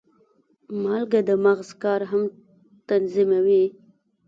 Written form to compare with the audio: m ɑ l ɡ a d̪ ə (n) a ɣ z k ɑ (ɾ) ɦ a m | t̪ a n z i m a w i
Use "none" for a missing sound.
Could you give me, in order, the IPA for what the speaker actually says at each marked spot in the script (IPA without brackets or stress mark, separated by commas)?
m, ɾ